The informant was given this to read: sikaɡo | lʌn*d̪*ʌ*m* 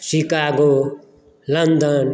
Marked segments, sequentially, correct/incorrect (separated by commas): correct, incorrect